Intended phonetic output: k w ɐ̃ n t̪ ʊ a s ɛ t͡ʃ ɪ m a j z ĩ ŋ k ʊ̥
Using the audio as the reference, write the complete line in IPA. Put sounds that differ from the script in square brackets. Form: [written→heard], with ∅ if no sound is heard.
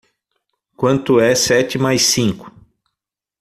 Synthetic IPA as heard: k w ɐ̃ n t̪ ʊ [a→ɛ] s ɛ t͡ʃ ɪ m a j [z→s] ĩ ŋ k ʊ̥

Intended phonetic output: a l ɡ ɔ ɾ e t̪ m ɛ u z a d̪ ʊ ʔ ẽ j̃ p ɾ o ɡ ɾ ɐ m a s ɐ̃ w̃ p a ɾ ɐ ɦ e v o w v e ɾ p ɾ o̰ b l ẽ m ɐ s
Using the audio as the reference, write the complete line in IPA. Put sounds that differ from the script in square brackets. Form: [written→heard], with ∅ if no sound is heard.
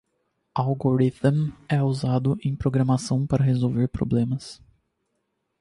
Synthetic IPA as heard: a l ɡ [ɔ→o] ɾ [e→i] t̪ m ɛ u z a d̪ ʊ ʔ ẽ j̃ p ɾ o ɡ ɾ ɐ m a s ɐ̃ w̃ p a ɾ ɐ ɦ e [v→z] o w v e ɾ p ɾ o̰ b l ẽ m ɐ s

